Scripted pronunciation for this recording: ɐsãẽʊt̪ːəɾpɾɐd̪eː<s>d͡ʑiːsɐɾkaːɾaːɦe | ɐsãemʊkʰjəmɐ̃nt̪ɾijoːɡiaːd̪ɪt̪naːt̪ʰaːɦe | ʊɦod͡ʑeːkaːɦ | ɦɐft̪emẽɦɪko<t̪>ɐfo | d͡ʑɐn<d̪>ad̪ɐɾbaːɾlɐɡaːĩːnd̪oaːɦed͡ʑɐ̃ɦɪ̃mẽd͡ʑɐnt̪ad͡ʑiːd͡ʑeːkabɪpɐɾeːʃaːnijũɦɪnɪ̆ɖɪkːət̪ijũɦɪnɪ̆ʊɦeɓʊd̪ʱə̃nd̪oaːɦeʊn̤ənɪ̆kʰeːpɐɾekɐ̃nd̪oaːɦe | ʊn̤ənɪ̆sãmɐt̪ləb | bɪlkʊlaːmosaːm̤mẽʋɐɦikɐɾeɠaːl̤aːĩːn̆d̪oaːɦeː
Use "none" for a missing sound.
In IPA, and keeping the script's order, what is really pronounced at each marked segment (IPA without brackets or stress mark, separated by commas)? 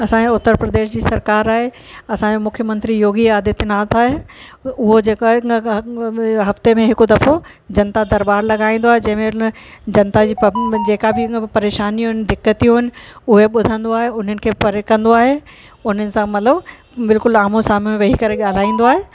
ʃ, d̪, t̪